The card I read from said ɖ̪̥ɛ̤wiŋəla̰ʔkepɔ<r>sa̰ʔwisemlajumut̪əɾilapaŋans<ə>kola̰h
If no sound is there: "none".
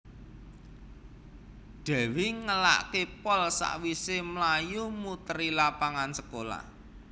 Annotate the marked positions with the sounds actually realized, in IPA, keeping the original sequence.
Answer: l, ə

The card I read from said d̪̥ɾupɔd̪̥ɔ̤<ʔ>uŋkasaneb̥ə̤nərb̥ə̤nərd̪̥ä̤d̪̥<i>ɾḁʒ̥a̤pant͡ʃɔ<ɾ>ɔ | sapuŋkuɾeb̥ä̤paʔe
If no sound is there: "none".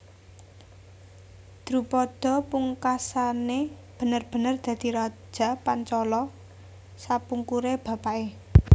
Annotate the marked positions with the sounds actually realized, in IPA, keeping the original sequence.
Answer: p, i, l

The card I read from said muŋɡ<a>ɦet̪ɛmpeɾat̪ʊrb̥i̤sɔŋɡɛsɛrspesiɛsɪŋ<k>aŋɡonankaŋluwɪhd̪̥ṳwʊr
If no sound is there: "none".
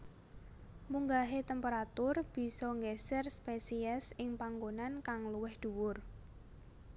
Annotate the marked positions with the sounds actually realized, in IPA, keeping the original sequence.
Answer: a, p

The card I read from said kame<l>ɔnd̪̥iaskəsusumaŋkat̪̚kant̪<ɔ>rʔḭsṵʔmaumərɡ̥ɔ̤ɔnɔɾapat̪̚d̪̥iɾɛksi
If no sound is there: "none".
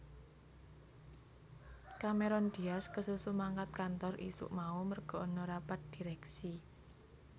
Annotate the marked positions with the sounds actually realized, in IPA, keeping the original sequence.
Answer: ɾ, ɔ

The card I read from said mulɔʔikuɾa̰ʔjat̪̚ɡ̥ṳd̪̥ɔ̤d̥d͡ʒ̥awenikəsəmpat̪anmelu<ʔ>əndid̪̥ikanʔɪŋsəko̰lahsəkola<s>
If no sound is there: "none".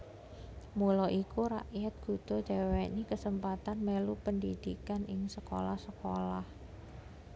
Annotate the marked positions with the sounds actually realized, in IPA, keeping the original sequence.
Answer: p, h

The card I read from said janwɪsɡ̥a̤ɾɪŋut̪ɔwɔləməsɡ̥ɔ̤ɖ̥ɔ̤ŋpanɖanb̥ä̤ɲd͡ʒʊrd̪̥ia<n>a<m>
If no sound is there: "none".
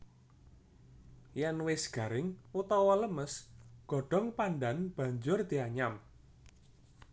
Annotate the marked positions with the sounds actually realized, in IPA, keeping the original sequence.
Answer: ɲ, m

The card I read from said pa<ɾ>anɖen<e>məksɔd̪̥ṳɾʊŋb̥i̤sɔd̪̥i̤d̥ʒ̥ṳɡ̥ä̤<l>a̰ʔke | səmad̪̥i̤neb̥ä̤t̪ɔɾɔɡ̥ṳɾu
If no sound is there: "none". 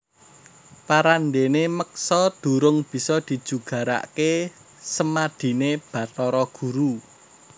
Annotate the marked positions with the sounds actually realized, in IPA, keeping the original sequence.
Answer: ɾ, e, ɾ

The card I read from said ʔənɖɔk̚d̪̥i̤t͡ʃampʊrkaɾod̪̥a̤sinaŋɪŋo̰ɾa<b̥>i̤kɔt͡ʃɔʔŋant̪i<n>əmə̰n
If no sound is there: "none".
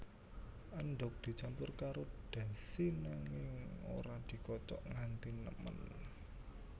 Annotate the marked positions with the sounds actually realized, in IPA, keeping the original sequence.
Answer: d̥, n

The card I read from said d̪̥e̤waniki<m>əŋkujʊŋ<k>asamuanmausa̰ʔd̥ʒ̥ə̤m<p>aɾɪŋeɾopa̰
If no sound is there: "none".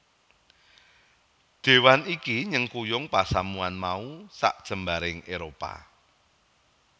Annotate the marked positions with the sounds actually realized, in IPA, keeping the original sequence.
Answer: ɲ, p, b

